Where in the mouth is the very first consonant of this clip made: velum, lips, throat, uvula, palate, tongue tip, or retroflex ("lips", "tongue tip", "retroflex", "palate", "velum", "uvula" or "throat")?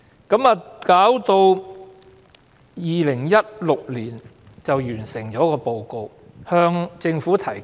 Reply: velum